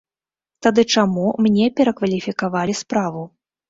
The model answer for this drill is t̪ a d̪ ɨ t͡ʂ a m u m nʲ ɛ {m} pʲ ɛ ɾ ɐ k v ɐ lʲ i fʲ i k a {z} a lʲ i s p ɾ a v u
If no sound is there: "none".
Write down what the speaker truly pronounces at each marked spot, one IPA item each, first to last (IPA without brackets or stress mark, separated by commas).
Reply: none, v